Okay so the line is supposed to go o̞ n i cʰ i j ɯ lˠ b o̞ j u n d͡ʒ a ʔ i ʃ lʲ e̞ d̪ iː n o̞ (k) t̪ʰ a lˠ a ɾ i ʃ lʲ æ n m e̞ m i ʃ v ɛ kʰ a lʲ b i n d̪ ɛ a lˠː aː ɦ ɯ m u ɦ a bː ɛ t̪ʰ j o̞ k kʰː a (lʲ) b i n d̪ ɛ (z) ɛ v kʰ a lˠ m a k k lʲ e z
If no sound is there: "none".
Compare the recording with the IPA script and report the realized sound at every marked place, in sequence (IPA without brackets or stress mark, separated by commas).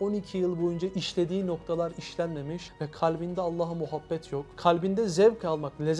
k, lʲ, z